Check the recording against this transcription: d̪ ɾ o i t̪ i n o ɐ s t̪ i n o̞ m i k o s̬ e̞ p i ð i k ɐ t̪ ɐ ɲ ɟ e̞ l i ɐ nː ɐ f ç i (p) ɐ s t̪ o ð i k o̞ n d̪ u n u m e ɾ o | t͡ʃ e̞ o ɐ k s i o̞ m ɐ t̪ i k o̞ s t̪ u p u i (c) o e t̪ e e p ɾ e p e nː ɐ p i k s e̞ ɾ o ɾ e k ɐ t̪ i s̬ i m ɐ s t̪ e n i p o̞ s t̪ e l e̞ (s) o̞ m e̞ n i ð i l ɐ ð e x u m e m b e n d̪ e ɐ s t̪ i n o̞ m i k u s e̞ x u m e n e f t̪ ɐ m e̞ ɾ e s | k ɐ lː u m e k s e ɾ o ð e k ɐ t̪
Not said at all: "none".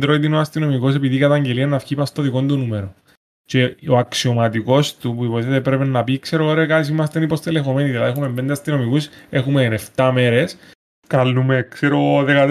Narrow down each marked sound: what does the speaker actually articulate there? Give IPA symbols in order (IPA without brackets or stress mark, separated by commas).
p, p, x